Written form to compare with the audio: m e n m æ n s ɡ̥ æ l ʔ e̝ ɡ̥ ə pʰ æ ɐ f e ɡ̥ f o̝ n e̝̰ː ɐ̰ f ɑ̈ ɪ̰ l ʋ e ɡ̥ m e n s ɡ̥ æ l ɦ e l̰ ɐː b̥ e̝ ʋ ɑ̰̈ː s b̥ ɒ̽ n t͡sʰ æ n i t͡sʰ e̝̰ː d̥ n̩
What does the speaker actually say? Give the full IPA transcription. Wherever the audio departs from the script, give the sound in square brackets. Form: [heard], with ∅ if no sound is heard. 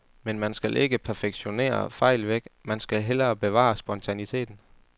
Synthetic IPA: m e n m æ n s ɡ̥ æ l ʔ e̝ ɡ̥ ə pʰ æ ɐ f e ɡ̥ [ɕ] o̝ n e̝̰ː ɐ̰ f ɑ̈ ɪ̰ l ʋ e ɡ̥ m [æ] n s ɡ̥ æ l ɦ e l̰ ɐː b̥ e̝ ʋ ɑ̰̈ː s b̥ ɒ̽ n t͡sʰ æ n i t͡sʰ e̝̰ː d̥ n̩